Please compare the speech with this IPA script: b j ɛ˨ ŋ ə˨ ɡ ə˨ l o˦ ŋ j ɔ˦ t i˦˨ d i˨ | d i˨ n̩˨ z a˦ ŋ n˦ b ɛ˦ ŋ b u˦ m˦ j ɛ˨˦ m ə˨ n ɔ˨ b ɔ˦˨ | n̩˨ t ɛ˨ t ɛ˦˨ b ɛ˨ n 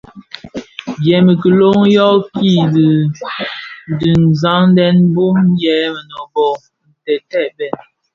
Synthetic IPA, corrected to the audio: b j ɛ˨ m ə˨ k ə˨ l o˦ ŋ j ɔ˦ k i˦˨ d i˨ | d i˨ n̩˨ z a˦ ŋ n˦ d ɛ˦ n b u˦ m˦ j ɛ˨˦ m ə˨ n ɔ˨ b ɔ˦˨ | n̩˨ t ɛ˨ t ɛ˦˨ b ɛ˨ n